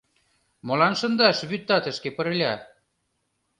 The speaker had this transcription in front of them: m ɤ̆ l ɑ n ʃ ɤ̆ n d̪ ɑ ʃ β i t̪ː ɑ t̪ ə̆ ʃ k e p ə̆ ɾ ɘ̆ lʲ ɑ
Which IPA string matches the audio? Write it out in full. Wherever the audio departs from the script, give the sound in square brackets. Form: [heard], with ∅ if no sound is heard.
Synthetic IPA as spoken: m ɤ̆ l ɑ n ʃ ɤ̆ n d̪ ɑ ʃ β [y] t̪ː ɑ t̪ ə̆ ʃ k e p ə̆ ɾ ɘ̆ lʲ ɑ